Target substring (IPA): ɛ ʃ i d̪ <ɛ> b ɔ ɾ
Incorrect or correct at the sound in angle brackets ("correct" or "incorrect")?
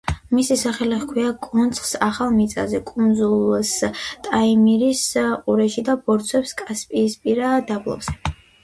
incorrect